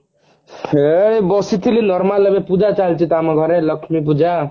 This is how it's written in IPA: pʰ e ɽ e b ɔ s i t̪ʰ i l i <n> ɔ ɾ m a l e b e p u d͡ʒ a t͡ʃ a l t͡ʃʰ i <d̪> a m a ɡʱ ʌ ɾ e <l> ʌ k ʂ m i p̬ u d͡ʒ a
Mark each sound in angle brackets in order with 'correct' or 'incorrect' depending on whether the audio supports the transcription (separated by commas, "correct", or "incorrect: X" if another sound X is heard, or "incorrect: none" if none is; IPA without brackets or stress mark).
correct, incorrect: t̪, correct